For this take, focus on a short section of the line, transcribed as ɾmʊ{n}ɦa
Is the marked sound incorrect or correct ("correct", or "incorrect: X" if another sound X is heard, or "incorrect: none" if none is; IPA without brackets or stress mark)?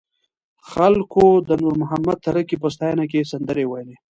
incorrect: none